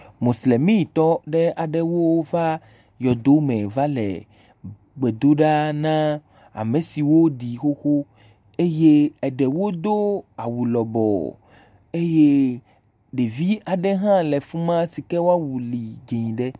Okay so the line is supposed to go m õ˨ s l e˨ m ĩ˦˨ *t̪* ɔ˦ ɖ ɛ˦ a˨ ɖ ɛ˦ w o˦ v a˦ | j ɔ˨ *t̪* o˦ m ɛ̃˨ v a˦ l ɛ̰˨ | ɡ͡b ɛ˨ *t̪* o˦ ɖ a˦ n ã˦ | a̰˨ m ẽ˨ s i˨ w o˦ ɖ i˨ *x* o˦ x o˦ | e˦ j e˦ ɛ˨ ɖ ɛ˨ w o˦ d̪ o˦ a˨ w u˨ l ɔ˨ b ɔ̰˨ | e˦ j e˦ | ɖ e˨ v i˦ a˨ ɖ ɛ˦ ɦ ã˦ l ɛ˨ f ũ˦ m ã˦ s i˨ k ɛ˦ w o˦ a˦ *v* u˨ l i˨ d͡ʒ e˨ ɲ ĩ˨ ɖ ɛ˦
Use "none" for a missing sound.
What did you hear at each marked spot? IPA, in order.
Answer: t̪, d̪, d̪, x, w

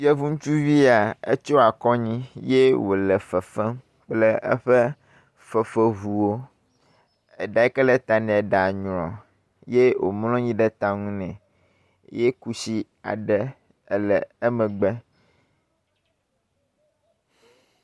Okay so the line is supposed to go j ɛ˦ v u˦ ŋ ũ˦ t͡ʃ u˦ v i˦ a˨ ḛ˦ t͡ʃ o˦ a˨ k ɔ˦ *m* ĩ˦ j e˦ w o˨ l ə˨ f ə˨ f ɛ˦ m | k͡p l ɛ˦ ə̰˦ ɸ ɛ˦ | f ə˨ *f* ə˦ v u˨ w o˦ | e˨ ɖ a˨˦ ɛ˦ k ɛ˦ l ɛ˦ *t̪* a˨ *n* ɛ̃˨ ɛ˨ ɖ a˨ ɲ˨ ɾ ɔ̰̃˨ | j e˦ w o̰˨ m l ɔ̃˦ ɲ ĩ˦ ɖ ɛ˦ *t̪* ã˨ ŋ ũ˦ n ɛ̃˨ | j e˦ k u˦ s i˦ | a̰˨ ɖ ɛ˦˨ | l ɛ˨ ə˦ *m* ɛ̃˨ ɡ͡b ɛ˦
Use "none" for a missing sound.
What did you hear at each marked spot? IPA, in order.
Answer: ɲ, f, t̪, n, t̪, m

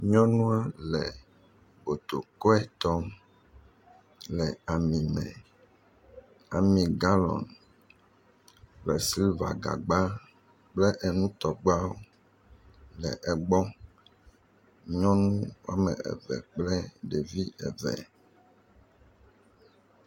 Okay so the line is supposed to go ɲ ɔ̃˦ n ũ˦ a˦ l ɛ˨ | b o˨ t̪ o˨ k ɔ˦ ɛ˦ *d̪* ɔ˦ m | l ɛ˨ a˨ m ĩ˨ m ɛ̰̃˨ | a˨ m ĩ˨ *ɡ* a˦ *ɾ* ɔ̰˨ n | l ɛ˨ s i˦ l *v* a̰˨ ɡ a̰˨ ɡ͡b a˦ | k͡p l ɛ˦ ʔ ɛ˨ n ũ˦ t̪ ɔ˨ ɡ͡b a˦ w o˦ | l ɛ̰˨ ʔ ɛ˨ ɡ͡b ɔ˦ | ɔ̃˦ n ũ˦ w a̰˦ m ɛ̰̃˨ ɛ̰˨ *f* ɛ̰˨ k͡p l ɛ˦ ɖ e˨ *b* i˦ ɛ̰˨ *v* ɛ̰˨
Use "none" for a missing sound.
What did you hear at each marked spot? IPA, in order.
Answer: t̪, ɡ, l, v, v, v, v

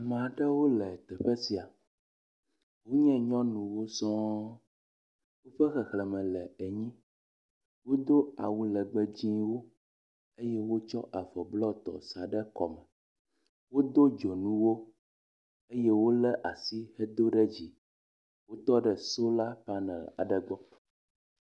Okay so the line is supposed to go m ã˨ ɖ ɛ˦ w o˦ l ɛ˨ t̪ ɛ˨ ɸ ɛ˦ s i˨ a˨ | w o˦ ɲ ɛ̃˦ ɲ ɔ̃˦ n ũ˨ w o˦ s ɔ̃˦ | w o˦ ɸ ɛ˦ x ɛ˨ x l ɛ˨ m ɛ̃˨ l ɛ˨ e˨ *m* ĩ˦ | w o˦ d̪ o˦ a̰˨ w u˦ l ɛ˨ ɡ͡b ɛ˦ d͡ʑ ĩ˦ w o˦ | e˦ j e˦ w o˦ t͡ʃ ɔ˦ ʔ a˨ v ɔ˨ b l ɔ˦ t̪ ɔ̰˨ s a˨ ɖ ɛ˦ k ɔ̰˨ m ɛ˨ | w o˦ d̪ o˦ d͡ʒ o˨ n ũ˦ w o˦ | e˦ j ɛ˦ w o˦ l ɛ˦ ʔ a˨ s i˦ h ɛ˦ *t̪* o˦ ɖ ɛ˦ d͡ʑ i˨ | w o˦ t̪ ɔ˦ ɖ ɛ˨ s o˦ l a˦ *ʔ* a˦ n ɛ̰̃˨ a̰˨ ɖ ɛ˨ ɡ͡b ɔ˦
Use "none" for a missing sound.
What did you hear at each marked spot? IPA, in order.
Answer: ɲ, d̪, p

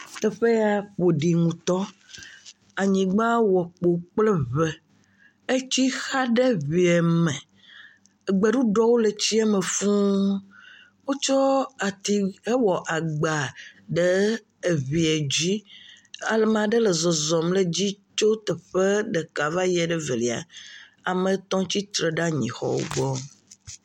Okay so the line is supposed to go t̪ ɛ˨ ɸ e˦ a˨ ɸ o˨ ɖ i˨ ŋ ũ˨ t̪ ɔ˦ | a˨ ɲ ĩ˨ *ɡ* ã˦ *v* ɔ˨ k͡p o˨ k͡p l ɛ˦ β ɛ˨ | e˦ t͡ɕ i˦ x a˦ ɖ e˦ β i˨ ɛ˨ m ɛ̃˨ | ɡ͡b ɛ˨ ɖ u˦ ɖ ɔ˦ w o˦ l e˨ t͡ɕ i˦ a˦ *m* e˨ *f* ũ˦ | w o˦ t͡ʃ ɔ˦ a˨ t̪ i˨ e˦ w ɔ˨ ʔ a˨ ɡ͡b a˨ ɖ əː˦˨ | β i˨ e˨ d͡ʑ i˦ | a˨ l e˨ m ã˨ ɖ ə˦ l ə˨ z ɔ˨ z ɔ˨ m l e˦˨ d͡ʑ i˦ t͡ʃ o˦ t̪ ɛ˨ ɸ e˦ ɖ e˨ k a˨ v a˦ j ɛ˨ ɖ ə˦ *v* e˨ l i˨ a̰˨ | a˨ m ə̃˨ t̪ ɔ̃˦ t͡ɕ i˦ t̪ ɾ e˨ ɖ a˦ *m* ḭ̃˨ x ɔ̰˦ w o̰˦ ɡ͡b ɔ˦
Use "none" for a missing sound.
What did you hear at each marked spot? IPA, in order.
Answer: ɡ͡b, w, m, f, v, ɲ

